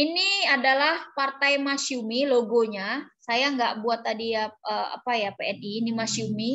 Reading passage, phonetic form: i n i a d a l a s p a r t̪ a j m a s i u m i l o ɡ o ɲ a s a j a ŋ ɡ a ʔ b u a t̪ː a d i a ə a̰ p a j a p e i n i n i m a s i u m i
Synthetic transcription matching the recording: i n i a d a l a h p a r t̪ a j m a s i u m i l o ɡ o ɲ a s a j a ŋ ɡ a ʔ b u a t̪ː a d i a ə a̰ p a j a p e ɛ n i n i m a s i u m i